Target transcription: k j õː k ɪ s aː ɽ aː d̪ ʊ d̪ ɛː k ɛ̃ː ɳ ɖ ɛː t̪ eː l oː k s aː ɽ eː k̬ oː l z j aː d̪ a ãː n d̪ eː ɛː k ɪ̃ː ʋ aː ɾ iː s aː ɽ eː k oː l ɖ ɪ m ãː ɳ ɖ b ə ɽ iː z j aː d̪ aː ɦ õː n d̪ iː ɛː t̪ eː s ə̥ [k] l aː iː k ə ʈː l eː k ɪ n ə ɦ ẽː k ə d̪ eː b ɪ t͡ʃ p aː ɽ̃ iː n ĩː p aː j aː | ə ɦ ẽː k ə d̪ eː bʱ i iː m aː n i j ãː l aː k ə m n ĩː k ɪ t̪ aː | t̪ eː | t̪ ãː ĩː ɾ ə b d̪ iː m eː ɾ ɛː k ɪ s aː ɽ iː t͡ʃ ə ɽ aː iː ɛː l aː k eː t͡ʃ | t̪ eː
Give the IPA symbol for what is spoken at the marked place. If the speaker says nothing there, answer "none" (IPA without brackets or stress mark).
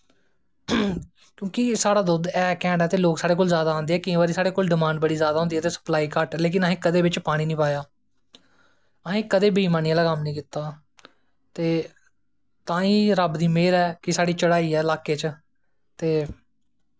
p